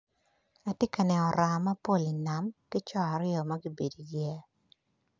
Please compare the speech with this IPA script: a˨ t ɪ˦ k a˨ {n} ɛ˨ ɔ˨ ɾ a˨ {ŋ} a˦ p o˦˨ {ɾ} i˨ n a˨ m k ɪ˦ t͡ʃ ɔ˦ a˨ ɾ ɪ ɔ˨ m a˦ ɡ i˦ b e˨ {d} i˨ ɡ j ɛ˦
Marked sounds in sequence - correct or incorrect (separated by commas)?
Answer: correct, incorrect, incorrect, correct